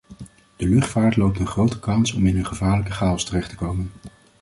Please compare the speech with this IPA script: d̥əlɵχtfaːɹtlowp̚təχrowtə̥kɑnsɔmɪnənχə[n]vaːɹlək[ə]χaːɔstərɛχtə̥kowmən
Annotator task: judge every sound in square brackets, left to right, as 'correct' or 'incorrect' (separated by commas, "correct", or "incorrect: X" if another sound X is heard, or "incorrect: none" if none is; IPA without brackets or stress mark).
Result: incorrect: none, correct